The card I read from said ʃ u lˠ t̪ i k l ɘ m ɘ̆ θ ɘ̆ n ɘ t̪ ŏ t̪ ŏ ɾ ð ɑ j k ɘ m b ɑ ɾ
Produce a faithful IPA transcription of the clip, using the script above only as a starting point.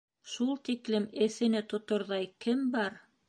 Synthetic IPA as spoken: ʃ u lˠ t̪ i k l ɘ m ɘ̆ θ ɘ̆ n ɘ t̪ ŏ t̪ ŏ ɾ ð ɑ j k ɘ m b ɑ ɾ